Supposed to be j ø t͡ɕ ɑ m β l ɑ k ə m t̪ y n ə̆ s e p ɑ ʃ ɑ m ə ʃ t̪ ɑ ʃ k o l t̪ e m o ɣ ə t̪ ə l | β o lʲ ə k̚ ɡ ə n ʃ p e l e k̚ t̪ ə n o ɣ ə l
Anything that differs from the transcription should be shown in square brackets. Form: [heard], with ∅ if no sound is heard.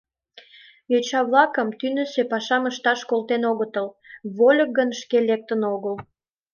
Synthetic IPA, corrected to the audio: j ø t͡ɕ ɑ [∅] β l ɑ k ə m t̪ y n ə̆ s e p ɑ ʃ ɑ m ə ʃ t̪ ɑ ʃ k o l t̪ e [n] o ɣ ə t̪ ə l | β o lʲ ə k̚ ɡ ə n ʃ [k] e l e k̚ t̪ ə n o ɣ ə l

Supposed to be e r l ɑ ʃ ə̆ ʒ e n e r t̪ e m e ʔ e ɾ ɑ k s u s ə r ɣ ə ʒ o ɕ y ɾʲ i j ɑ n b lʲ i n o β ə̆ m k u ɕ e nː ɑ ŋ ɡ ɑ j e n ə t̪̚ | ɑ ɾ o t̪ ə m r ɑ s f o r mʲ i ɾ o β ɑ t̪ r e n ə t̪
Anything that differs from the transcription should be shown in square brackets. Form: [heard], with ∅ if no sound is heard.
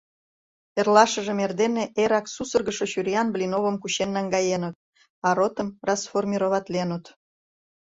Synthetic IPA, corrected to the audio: e r l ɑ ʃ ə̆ ʒ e [m] e r [d̪] e [n] e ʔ e ɾ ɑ k s u s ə r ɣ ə [ʃ] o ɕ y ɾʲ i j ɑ n b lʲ i n o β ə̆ m k u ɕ e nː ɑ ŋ ɡ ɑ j e n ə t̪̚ | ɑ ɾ o t̪ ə m r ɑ s f o r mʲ i ɾ o β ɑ t̪ [l] e n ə t̪

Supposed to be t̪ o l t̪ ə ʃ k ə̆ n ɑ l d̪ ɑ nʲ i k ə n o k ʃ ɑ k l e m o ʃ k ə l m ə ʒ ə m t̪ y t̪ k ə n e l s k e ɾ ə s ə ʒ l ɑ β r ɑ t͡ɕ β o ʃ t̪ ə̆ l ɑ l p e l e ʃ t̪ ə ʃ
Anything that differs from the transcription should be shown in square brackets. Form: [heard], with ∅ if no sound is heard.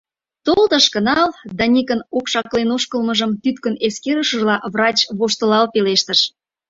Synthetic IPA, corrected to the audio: t̪ o l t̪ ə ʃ k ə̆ n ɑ l d̪ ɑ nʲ i k ə n o k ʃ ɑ k l e [n] o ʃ k ə l m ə ʒ ə m t̪ y t̪ k ə n e [∅] s k e ɾ ə [ʃ] ə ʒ l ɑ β r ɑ t͡ɕ β o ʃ t̪ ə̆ l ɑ l p e l e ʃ t̪ ə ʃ

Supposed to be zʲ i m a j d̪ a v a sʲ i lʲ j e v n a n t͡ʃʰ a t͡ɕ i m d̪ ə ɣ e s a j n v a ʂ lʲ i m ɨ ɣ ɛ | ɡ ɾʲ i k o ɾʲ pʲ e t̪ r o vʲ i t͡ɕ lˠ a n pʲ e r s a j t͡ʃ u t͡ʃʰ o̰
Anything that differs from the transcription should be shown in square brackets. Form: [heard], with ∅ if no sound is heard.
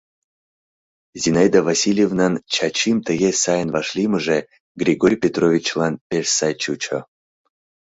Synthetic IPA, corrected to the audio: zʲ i [n] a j d̪ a v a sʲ i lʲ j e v n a n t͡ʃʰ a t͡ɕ i m [t̪] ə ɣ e s a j n v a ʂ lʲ i m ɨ [ʐ] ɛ | ɡ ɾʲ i [ɡ] o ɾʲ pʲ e t̪ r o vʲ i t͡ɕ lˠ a n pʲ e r s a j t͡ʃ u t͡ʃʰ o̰

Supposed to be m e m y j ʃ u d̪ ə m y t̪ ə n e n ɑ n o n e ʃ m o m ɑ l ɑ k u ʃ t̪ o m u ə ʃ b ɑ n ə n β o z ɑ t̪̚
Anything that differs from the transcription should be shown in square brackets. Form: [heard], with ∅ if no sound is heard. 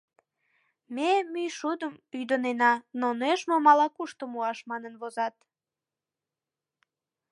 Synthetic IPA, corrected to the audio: m e m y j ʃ u d̪ ə m y [d̪] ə n e n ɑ n o n e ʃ m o m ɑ l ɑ k u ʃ t̪ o m u [ɑ] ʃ [m] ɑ n ə n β o z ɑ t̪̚

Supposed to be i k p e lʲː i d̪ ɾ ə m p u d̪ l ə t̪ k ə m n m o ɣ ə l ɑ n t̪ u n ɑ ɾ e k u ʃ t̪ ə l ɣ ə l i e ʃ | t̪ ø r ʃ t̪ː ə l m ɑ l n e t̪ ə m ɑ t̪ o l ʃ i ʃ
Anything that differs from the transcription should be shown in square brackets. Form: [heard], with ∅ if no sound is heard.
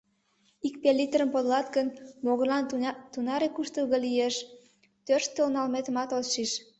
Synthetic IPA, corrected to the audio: i k p e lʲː i [t̪] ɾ ə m p [o] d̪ l [ɑ] t̪ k ə [∅] n m o ɣ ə l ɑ n t̪ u n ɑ ɾ e k u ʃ t̪ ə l ɣ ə l i e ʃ | t̪ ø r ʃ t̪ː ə l [n] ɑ l [m] e t̪ ə m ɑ t̪ o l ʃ i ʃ

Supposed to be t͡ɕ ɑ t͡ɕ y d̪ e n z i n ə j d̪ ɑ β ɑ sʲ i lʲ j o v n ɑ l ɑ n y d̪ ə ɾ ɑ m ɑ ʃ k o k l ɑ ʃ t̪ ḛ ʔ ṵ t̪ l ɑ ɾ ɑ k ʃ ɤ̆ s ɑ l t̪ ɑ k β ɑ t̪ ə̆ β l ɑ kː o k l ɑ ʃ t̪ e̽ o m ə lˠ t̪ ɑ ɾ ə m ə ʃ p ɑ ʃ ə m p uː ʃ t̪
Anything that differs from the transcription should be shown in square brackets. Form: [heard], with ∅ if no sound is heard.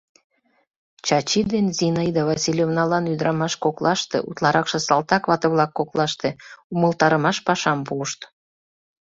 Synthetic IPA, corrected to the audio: t͡ɕ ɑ t͡ɕ [i] d̪ e n z i n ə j d̪ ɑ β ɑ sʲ i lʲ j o v n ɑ l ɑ n y d̪ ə ɾ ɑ m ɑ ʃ k o k l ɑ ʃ t̪ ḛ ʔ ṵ t̪ l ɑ ɾ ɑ k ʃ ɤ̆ s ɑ l t̪ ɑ k β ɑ t̪ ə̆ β l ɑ kː o k l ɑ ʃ t̪ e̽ [u] m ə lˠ t̪ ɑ ɾ ə m [ɑ] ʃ p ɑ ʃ [ɑ] m p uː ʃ t̪

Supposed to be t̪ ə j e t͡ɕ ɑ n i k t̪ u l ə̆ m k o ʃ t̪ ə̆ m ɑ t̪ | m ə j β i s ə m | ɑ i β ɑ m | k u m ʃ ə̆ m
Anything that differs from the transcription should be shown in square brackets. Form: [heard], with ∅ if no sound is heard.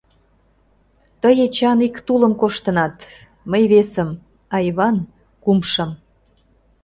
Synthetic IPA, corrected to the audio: t̪ ə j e t͡ɕ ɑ n i k t̪ u l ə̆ m k o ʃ t̪ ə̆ [n] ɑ t̪ | m ə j β [e] s ə m | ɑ [j] β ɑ [n] | k u m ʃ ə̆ m

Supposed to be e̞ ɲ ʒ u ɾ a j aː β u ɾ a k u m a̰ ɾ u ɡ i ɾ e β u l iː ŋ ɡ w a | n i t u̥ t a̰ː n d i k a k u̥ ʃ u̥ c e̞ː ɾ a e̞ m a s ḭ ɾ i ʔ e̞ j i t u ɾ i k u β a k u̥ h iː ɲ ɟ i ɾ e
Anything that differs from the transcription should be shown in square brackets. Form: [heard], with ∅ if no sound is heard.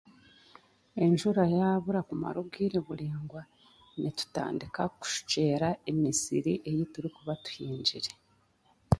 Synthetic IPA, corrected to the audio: e̞ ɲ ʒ u ɾ a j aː β u ɾ a k u m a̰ ɾ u ɡ i ɾ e β u l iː ŋ ɡ w a | n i t u̥ t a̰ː n d i k a k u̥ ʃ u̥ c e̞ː ɾ a e̞ m [i] s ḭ ɾ i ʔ e̞ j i t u ɾ i k u β a [t] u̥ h iː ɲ ɟ i ɾ e

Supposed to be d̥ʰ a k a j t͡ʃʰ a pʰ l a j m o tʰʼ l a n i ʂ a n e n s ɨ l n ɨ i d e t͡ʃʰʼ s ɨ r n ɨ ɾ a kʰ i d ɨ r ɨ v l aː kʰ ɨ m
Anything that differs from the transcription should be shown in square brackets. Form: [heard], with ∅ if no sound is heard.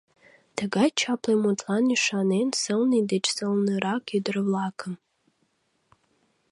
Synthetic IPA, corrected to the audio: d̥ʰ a [ɡ] a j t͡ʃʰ a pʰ l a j m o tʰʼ l a n i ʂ a n e n s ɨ l n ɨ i d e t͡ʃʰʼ s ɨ [l] n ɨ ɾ a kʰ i d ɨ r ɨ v l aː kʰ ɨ m

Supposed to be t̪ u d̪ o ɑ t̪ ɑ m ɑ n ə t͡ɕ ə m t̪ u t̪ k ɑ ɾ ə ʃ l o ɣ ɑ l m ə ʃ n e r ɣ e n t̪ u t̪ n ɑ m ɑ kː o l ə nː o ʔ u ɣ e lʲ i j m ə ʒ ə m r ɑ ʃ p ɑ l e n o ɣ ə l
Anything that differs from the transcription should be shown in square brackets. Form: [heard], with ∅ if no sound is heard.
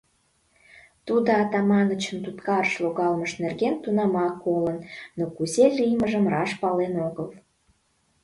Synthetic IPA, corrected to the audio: t̪ u d̪ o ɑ t̪ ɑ m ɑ n ə t͡ɕ ə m t̪ u t̪ k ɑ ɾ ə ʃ l o ɣ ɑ l m ə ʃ n e r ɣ e n t̪ u [∅] n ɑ m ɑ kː o l ə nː o [k] u [z] e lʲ i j m ə ʒ ə m r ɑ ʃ p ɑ l e n o ɣ ə l

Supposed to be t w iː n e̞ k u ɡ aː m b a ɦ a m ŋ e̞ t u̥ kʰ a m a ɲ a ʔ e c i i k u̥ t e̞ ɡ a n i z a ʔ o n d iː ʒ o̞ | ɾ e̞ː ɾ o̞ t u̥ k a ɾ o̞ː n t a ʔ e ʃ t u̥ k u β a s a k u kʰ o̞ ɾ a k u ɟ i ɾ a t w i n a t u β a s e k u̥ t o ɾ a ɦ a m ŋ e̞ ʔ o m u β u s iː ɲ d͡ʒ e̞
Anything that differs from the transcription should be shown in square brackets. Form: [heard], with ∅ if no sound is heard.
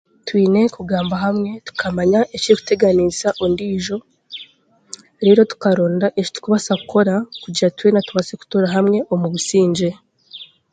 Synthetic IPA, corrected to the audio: t w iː n e̞ k u ɡ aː m b a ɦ a m ŋ e̞ t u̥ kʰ a m a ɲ a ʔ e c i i k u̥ t e̞ ɡ a n i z a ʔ o n d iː ʒ o̞ | ɾ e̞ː ɾ o̞ t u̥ k a ɾ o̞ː n [d] a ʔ e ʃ t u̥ k u β a s a k u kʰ o̞ ɾ a k u ɟ i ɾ a t w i n a t u β a s e k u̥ t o ɾ a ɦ a m ŋ e̞ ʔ o m u β u s iː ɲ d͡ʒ e̞

